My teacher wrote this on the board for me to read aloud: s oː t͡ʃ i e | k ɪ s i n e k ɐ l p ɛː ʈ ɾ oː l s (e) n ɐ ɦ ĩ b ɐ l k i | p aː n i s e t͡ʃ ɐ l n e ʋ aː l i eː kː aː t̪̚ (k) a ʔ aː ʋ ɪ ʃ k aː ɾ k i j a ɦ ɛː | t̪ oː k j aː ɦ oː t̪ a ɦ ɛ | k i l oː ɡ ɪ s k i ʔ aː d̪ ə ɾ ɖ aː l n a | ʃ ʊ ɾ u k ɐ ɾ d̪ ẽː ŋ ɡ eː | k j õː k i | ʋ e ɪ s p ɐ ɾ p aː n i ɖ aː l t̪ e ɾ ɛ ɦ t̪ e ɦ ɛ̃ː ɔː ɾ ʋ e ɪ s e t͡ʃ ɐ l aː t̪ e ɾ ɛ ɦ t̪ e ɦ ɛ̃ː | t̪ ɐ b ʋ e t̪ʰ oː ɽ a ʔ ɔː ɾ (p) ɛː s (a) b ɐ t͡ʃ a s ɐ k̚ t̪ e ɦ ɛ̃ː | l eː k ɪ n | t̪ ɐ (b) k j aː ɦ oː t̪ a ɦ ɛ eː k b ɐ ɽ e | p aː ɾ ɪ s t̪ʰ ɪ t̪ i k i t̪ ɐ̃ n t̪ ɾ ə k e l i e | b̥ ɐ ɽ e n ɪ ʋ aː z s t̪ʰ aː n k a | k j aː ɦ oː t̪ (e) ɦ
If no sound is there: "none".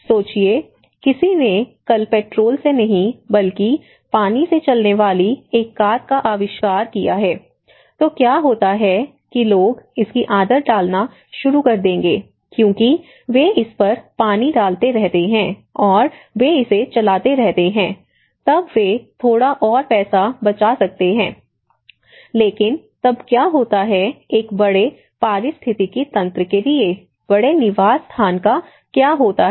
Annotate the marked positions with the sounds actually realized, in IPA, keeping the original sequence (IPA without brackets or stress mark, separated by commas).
e, k, p, a, b, a